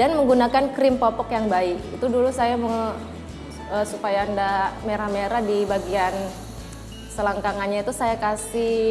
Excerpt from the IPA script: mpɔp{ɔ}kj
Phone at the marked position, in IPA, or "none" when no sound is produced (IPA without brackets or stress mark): ɔ